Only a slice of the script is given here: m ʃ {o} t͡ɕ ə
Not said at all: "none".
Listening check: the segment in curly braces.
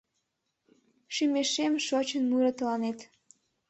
o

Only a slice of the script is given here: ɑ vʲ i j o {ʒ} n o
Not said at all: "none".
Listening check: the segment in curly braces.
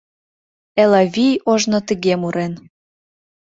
ʒ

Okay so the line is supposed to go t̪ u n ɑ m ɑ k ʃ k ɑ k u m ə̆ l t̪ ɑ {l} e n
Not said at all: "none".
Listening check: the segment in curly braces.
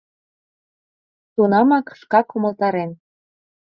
ɾ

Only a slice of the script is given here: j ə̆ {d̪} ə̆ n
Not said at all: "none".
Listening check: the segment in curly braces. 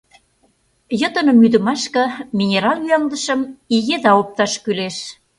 t̪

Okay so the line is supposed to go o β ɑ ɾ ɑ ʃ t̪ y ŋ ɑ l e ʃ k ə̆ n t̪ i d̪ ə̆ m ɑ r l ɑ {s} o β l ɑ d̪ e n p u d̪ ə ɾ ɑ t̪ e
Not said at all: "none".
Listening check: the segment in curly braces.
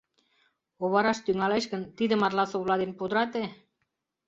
s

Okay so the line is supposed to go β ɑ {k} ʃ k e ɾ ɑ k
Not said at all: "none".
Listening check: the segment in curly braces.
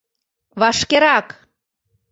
none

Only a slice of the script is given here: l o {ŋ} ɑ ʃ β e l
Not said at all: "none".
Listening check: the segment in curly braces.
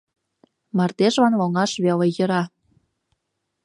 ŋ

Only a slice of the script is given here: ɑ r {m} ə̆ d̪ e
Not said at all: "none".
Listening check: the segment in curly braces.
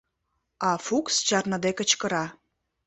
n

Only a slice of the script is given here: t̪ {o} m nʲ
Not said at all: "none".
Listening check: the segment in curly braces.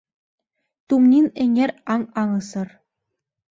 u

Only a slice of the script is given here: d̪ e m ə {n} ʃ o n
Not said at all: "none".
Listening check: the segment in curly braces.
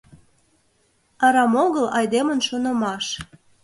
n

